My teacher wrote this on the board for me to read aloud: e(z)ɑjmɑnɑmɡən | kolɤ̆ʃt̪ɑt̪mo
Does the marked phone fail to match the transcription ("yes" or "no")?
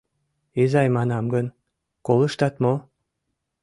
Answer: no